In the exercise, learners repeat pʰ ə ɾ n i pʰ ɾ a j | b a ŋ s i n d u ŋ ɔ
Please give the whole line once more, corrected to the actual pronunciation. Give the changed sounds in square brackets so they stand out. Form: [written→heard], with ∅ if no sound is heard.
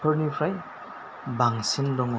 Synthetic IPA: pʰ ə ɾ n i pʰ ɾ a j | b a ŋ s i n d [u→ɔ] ŋ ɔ

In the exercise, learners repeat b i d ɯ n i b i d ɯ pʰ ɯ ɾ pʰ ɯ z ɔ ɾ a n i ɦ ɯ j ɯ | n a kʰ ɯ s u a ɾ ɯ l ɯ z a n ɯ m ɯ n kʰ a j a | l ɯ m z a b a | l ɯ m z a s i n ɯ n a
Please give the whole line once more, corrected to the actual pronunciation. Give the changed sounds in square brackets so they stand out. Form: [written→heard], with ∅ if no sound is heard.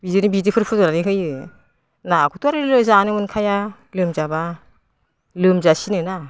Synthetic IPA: b i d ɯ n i b i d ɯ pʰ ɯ ɾ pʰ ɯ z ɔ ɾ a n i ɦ ɯ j ɯ | n a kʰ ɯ [s→t] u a ɾ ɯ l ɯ z a n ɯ m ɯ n kʰ a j a | l ɯ m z a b a | l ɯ m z a s i n ɯ n a

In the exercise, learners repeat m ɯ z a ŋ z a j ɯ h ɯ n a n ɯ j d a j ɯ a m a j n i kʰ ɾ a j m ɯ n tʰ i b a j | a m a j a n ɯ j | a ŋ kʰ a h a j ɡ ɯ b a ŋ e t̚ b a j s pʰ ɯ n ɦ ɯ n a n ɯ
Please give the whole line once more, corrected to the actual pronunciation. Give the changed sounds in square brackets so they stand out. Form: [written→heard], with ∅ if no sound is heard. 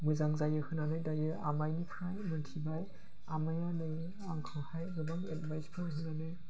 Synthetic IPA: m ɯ z a ŋ z a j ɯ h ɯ n a n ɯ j d a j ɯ a m a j n i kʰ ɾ a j m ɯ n tʰ i b a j | a m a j a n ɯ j | a ŋ kʰ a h a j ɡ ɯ b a ŋ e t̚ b a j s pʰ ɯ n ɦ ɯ n a n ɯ

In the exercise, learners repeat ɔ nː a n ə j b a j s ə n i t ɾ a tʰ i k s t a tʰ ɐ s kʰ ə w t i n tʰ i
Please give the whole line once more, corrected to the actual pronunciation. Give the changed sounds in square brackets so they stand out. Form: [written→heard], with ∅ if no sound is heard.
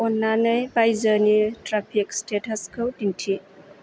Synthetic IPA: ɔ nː a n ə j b a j [s→z] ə n i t ɾ a [tʰ→pʰ] i k s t [a→e] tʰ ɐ s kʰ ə w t i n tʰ i

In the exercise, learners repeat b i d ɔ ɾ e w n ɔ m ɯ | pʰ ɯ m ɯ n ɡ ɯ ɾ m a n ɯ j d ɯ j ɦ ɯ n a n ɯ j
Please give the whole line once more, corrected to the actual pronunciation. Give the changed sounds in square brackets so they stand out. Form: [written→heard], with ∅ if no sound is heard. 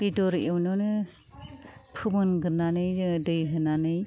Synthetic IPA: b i d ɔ ɾ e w n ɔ [m→n] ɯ | pʰ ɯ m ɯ n ɡ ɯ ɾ [m→n] a n ɯ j d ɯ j ɦ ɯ n a n ɯ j

